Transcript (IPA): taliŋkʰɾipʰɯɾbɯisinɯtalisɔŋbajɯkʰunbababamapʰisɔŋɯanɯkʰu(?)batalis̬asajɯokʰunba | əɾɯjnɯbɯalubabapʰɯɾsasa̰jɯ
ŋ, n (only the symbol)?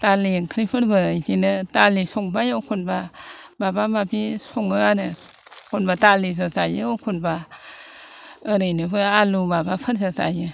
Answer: n